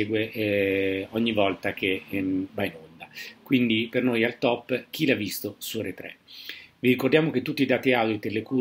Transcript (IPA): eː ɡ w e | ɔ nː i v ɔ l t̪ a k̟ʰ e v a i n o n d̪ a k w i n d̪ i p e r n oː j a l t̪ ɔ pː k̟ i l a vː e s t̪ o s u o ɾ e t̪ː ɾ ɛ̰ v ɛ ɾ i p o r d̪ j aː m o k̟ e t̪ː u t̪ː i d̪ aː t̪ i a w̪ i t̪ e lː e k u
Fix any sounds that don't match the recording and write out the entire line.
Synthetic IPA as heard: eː ɡ w e | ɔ ɲː i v ɔ l t̪ a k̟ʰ e v a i n o n d̪ a k w i n d̪ i p e r n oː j a l t̪ ɔ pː k̟ i l a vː i s t̪ o s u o ɾ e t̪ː ɾ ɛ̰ v i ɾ i k o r d̪ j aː m o k̟ e t̪ː u t̪ː i d̪ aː t̪ i a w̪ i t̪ e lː e k u